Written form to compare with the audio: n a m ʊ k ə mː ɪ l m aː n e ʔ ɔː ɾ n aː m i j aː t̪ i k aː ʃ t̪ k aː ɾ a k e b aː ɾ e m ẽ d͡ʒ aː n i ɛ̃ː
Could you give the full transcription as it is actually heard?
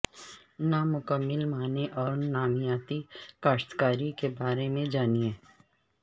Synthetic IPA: n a m ʊ k ə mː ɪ l m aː n e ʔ ɔː ɾ n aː m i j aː t̪ i k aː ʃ t̪ k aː ɾ i k e b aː ɾ e m ẽ d͡ʒ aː n i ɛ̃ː